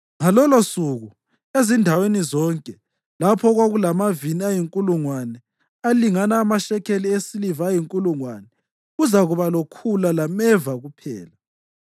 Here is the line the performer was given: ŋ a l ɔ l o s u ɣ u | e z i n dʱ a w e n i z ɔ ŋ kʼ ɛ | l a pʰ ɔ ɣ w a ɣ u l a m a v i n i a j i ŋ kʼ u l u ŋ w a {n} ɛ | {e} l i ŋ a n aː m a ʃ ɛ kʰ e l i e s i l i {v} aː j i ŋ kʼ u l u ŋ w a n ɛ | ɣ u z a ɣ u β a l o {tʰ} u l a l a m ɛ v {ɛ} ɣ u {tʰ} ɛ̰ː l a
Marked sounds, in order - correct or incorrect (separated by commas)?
correct, incorrect, correct, incorrect, incorrect, incorrect